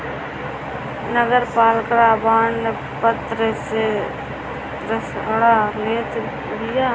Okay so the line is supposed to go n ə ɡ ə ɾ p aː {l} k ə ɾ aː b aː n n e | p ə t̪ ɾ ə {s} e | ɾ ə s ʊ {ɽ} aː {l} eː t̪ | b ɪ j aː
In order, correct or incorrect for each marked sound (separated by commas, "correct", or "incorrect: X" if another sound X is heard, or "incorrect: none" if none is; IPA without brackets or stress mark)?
correct, correct, correct, correct